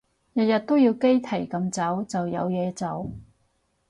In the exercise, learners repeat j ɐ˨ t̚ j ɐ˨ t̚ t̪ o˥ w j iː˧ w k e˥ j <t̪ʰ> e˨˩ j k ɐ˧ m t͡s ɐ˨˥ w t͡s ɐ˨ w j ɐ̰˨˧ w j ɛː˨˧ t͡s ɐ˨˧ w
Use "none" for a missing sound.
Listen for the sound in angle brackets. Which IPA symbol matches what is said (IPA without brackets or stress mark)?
t̪ʰ